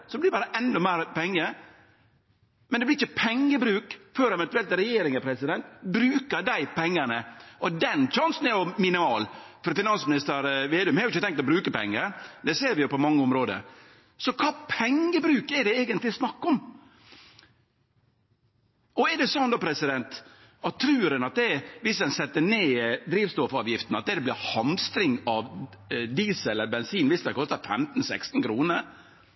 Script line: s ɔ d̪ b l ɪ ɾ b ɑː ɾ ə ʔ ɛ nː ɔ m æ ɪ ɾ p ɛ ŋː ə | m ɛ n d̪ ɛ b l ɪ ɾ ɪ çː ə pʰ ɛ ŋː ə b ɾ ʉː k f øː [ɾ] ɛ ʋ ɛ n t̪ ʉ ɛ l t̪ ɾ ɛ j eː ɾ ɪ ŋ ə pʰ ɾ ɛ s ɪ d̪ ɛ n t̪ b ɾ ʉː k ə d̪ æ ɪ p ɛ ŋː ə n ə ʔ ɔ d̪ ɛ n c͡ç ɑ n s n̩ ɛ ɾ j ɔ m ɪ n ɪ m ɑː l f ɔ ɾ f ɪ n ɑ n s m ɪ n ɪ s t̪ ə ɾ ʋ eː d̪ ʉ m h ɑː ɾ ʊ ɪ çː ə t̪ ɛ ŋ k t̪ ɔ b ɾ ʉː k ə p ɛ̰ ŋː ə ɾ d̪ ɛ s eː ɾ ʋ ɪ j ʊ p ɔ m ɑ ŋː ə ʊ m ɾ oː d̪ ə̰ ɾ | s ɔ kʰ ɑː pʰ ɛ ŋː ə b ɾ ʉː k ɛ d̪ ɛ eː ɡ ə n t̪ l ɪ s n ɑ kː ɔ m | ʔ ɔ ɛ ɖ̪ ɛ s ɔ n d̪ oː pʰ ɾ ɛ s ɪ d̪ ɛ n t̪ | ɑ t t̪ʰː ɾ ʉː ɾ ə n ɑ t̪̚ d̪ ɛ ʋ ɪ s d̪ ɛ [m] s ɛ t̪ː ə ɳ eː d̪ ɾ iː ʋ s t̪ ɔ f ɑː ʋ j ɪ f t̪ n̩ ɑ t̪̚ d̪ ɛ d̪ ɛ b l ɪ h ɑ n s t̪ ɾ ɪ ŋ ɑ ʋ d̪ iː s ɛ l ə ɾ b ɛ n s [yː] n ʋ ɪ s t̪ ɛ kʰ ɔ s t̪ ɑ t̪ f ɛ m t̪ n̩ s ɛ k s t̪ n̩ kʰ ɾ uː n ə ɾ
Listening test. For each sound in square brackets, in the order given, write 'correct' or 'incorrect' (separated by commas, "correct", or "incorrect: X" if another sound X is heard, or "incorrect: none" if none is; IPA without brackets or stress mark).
correct, incorrect: n, incorrect: iː